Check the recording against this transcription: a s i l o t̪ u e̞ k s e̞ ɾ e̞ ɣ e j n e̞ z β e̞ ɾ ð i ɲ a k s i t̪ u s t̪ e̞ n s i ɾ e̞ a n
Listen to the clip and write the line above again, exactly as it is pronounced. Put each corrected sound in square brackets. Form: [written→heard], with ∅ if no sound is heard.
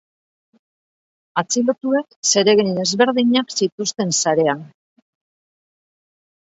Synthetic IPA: a [s→t͡s] i l o t̪ u e̞ k s e̞ ɾ e̞ ɣ e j n e̞ z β e̞ ɾ ð i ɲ a k s i t̪ u s t̪ e̞ n s [i→a] ɾ e̞ a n